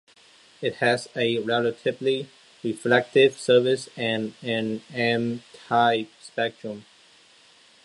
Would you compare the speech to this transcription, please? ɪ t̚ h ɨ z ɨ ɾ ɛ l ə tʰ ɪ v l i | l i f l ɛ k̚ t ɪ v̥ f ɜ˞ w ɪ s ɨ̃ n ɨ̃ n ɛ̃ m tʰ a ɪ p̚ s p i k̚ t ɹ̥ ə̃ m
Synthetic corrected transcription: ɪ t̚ h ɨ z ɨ ɹ ɛ l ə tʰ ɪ v l i | ɹ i f l ɛ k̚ t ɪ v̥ s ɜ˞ v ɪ s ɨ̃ n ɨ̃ n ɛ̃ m tʰ a ɪ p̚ s p ɛ k̚ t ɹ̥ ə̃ m